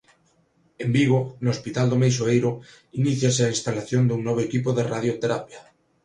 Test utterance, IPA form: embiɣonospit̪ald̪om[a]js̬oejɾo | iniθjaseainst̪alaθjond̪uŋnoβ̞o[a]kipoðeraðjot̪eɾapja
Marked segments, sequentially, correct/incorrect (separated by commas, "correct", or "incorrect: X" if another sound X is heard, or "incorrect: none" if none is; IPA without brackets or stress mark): incorrect: e, incorrect: e